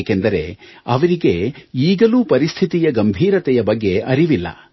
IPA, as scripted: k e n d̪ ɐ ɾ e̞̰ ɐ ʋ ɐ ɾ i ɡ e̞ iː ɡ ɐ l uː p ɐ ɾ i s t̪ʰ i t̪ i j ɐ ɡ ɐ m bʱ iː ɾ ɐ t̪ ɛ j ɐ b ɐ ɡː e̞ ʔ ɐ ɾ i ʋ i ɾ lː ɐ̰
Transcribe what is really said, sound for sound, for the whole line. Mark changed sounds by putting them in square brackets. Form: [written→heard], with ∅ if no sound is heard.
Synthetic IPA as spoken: k e n d̪ ɐ ɾ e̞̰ ɐ ʋ ɐ ɾ i ɡ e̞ iː ɡ ɐ l uː p ɐ ɾ i s t̪ʰ i t̪ i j ɐ ɡ ɐ m bʱ iː ɾ ɐ t̪ ɛ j ɐ b ɐ ɡː e̞ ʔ ɐ ɾ i ʋ i [ɾ→∅] lː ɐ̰